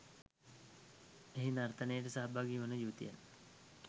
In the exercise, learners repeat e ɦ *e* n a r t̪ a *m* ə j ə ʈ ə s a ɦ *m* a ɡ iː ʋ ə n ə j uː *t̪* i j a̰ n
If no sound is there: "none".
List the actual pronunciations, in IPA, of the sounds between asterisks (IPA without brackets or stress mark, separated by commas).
i, n, b, t̪